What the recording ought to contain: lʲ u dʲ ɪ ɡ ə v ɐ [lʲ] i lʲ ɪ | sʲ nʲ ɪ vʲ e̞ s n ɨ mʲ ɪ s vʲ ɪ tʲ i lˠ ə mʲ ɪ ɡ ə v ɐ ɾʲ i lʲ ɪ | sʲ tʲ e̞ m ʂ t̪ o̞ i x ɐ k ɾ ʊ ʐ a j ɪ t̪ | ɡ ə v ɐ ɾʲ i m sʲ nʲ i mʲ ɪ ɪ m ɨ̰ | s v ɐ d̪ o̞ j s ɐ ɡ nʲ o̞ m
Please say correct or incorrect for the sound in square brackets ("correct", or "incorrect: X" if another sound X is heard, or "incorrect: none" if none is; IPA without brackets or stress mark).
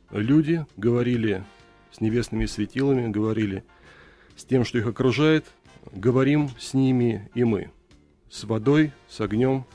incorrect: ɾʲ